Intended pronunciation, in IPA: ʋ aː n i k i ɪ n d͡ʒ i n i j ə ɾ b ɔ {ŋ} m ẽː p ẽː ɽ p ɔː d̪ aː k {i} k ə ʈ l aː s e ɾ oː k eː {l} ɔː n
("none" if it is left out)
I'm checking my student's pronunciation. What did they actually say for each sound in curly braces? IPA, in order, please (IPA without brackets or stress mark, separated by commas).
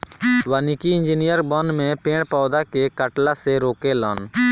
n, e, l